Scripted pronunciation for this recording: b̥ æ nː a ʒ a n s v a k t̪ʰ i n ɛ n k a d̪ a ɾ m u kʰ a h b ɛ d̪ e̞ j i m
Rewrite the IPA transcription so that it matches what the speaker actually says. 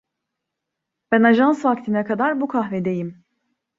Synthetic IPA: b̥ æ n a ʒ a n s v a k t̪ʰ i n ɛ k a d̪ a ɾ b u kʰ a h v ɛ d̪ e̞ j i m